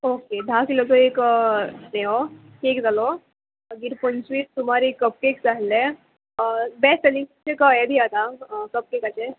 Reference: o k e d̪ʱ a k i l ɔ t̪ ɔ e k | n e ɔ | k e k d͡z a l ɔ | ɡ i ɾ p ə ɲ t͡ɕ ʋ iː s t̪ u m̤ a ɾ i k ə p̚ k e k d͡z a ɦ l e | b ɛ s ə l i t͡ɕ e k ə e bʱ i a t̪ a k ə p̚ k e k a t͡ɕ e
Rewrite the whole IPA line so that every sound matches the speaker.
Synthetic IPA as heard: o k e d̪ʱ a k i l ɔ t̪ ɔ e k | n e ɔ | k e k d͡z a l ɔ | ɡ i ɾ p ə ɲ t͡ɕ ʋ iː s t̪ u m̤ a ɾ i k ə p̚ k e k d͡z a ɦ l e | b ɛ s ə l i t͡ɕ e k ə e bʱ i a t̪ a k ə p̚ k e k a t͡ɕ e